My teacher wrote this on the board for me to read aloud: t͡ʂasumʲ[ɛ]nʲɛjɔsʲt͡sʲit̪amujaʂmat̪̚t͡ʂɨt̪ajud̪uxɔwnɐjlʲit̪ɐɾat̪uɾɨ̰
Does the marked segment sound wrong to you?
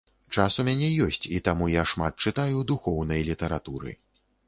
yes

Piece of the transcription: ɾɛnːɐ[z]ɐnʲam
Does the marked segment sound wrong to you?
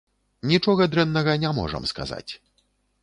yes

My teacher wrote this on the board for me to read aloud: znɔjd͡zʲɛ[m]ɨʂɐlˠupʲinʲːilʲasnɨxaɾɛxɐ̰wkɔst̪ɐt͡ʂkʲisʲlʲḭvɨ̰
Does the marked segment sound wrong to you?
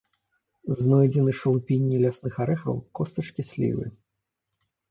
yes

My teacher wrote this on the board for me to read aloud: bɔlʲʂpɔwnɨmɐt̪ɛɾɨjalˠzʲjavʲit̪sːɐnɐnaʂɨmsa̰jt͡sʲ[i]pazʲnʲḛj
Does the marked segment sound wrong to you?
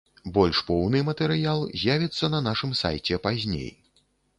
yes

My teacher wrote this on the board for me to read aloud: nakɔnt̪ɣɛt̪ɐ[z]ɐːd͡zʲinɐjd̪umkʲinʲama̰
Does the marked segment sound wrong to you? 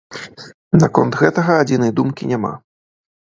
yes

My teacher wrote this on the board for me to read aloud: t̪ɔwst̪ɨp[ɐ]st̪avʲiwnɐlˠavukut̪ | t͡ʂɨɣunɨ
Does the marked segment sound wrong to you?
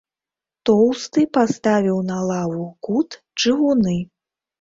yes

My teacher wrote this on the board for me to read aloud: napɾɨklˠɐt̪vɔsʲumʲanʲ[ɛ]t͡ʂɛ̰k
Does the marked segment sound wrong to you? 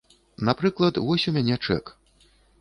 no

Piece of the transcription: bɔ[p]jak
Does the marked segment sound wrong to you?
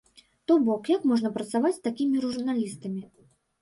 yes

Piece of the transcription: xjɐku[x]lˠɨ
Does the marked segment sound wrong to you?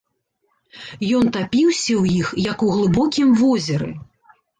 yes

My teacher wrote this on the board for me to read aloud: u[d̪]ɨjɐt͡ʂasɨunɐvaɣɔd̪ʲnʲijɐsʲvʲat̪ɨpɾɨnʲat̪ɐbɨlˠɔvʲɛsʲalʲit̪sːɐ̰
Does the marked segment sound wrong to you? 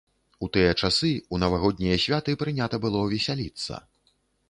yes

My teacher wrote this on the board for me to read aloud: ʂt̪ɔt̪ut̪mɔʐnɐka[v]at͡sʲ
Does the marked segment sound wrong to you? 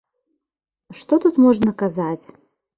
yes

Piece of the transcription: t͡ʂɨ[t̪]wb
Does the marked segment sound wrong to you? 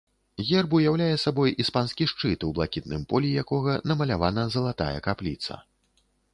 no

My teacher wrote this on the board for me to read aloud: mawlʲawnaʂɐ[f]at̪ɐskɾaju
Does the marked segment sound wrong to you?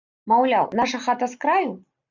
yes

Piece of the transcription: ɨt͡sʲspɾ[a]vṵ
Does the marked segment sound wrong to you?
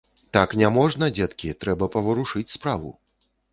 no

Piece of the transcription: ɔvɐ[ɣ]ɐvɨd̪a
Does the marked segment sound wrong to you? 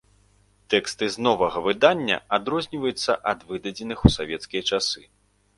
no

